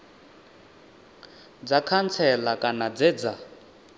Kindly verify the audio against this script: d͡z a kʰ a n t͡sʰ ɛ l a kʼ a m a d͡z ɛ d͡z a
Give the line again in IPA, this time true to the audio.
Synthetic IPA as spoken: d͡z a kʰ a n t͡sʰ ɛ l a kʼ a n a d͡z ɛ d͡z a